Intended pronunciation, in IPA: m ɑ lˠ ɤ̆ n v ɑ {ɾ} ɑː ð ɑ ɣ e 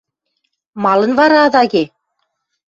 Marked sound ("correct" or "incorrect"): correct